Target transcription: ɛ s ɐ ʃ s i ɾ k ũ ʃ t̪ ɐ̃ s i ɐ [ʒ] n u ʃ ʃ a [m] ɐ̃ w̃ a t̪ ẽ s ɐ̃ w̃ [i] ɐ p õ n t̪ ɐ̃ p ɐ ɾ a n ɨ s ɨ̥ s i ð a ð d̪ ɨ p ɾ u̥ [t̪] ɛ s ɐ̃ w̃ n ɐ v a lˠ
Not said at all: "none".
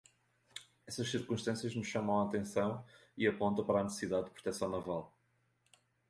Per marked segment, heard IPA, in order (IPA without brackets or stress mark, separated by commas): ʒ, m, i, t̪